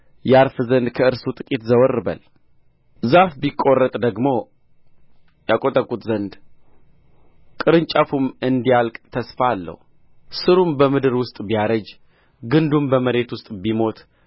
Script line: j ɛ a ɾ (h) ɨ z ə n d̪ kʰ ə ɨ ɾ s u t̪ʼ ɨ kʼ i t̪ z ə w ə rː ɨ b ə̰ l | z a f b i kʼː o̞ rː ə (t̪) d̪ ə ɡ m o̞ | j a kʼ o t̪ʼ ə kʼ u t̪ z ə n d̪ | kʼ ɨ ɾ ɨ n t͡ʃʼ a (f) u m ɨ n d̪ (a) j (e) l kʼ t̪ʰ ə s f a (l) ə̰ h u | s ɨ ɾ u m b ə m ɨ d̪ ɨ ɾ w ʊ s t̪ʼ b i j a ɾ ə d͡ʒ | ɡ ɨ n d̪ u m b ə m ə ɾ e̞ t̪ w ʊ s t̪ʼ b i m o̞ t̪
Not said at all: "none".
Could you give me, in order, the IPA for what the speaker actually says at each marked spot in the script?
f, t̪ʼ, f, i, a, lː

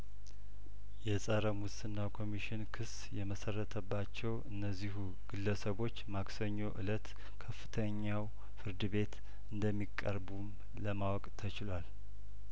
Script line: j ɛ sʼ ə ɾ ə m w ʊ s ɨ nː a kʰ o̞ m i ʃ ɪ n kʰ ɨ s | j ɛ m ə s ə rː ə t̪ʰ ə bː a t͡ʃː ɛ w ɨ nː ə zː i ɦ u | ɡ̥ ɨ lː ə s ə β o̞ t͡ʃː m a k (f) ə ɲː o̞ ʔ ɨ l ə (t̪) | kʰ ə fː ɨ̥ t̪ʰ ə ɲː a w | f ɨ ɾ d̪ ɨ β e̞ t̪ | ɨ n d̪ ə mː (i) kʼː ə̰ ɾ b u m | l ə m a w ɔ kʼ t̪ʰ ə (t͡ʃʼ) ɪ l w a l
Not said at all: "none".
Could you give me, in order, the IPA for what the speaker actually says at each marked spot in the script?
s, t̪, i, t͡ʃ

